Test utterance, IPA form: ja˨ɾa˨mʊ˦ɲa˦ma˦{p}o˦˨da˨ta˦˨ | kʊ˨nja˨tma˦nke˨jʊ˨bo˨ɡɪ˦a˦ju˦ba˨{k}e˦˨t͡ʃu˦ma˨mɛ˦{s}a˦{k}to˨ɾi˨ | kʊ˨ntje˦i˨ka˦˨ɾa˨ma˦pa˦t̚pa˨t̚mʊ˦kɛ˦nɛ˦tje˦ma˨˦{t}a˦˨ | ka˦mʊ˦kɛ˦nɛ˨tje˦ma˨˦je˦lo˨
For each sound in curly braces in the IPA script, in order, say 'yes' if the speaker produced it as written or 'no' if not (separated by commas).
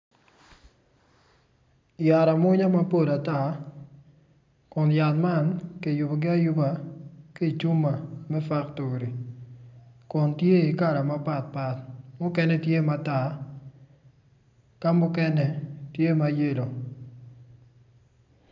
yes, yes, no, yes, yes